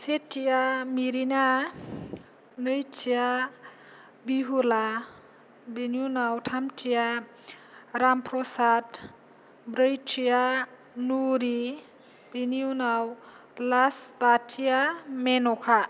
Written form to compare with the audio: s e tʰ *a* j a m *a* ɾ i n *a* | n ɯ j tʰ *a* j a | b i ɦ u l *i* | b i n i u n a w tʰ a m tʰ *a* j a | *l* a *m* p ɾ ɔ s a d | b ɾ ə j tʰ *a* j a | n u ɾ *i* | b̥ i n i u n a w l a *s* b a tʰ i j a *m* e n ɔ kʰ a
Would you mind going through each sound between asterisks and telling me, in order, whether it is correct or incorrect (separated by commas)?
incorrect, incorrect, correct, incorrect, incorrect, incorrect, incorrect, correct, incorrect, correct, correct, correct